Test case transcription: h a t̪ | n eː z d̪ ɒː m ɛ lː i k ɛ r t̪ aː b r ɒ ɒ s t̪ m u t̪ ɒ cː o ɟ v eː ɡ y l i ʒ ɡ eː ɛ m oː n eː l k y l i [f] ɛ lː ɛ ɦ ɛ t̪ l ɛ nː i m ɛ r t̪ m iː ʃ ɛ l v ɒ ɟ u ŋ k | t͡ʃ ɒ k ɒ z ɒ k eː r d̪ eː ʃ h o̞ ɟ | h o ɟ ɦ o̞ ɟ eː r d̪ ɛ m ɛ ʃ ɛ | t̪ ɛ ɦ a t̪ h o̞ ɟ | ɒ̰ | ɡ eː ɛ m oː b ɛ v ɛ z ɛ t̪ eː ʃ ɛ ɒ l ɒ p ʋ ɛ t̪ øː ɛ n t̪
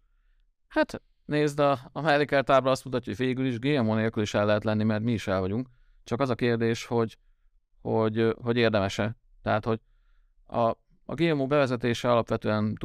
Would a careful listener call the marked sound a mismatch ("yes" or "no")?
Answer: yes